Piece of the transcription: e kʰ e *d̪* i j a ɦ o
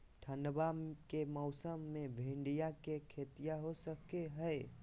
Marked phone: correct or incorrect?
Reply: incorrect